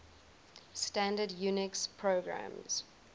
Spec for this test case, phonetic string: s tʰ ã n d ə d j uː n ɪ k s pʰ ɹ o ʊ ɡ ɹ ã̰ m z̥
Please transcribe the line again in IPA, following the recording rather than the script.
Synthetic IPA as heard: s t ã n d ə d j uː n ɪ k s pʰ ɹ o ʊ ɡ ɹ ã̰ m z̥